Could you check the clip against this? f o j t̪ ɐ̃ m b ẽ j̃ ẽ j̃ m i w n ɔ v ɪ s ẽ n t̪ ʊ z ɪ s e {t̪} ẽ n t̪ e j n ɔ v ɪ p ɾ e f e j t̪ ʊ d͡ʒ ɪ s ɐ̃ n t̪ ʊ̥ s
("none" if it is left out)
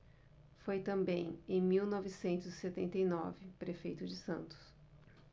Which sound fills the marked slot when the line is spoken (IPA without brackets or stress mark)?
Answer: t̪